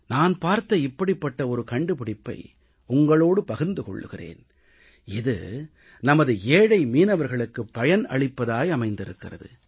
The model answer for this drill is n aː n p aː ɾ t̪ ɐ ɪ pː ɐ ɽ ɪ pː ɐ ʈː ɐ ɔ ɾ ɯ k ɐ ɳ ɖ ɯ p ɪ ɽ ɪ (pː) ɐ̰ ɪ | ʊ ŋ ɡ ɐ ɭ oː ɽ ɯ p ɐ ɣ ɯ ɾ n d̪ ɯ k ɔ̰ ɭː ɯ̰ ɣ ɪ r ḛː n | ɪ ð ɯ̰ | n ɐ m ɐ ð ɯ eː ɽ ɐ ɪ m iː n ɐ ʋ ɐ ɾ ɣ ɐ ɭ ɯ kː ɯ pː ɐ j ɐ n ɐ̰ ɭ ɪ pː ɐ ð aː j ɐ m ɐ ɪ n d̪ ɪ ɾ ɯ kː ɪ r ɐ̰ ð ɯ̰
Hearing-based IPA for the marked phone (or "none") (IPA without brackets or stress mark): pː